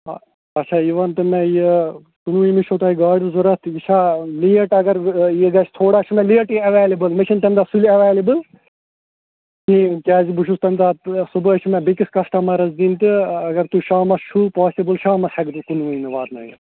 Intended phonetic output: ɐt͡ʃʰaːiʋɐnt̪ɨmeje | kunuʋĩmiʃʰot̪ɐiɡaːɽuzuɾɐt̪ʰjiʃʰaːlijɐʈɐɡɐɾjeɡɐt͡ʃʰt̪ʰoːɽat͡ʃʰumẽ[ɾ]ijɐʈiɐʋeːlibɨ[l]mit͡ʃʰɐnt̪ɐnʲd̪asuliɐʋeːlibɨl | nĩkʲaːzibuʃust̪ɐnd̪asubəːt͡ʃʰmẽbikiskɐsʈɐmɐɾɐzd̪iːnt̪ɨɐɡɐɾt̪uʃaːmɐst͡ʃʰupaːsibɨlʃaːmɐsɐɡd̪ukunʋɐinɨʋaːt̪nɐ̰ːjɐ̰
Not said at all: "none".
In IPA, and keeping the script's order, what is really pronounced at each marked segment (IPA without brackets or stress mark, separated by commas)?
l, l